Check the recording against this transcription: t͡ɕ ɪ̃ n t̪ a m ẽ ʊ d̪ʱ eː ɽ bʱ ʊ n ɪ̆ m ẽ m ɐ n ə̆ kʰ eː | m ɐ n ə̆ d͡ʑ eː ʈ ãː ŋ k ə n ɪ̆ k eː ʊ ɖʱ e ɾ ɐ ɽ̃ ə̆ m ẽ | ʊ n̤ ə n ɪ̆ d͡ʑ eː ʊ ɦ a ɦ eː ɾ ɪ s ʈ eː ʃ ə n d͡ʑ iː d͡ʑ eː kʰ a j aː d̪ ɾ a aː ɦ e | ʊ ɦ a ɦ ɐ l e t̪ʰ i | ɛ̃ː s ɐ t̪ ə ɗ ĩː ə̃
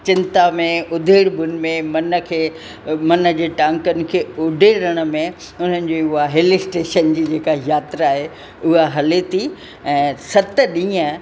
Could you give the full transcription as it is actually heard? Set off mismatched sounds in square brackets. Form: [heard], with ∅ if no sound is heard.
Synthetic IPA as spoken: t͡ɕ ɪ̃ n t̪ a m ẽ ʊ d̪ʱ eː ɽ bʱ ʊ n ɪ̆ m ẽ m ɐ n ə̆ kʰ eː | m ɐ n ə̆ d͡ʑ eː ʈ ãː ŋ k ə n ɪ̆ [kʰ] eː ʊ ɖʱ e ɾ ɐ ɽ̃ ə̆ m ẽ | ʊ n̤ ə n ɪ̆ d͡ʑ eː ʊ ɦ a ɦ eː [l] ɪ s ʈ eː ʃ ə n d͡ʑ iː d͡ʑ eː [k] a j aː [t̪] ɾ a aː ɦ e | ʊ ɦ a ɦ ɐ l e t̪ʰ i | ɛ̃ː s ɐ t̪ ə ɗ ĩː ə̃